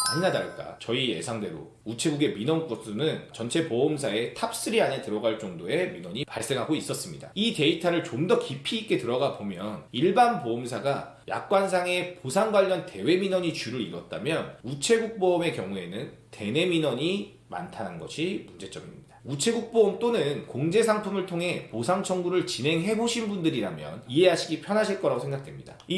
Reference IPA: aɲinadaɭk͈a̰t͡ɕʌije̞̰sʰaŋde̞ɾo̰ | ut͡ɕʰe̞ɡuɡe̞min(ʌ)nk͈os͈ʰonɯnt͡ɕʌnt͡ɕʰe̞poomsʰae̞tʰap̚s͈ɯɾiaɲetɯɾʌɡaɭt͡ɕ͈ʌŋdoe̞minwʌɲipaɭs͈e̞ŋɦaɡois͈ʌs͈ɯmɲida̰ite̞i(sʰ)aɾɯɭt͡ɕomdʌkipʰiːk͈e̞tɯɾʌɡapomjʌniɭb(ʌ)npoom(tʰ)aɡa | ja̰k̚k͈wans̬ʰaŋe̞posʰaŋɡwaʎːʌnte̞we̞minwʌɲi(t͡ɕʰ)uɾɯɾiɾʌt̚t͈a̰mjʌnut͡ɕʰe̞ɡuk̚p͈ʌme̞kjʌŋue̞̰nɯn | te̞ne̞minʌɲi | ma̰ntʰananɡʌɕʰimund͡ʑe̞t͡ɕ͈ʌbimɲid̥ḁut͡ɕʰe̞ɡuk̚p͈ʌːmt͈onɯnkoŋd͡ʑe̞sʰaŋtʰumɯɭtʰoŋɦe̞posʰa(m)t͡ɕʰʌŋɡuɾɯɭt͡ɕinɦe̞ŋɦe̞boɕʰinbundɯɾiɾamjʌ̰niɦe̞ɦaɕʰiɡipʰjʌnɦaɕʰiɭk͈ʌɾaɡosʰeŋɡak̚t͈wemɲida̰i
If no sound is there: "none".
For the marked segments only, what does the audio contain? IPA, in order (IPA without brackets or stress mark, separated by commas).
ʌ, tʰ, a, sʰ, t͡ɕ, ŋ